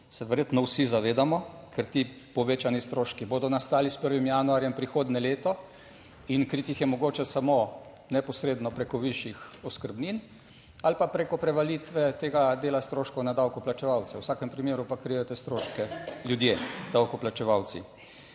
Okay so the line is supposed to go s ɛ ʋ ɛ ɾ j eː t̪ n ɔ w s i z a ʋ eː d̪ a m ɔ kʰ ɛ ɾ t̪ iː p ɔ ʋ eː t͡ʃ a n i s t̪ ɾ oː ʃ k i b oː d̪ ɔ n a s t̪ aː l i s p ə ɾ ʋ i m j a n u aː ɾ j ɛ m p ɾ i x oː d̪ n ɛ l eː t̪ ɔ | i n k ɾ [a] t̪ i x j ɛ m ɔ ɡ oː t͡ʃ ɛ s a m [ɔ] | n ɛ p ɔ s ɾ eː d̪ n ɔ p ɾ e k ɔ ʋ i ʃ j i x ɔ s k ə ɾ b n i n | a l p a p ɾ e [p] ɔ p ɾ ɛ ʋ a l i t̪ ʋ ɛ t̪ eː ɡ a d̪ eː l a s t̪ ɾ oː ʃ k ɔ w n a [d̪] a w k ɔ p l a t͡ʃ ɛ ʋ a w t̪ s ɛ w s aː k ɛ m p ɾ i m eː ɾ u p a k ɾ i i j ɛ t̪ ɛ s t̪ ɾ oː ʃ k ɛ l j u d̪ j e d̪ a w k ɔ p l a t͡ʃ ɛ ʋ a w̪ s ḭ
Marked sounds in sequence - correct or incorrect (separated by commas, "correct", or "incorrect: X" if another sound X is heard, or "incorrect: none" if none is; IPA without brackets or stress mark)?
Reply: incorrect: i, incorrect: o, incorrect: k, correct